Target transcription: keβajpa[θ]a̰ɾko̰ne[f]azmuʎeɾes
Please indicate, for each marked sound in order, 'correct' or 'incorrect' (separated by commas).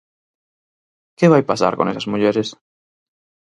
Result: incorrect, incorrect